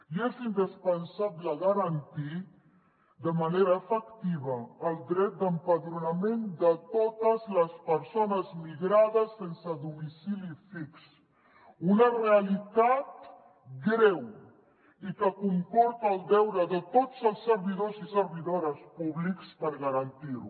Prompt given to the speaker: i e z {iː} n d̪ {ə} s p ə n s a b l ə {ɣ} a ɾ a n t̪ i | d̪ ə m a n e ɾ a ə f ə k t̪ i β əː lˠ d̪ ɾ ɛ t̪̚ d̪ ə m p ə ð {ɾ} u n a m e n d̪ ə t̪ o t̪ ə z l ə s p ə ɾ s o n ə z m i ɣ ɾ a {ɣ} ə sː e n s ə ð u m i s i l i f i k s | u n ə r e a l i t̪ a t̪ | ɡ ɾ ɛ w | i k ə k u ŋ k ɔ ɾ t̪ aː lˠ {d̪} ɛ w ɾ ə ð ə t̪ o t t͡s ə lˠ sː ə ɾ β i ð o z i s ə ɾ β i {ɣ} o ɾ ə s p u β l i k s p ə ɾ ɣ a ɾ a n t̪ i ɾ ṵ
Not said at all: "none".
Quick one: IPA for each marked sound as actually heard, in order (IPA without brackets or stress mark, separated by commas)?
i, ə, ɣ, ɾ, ð, d̪, ð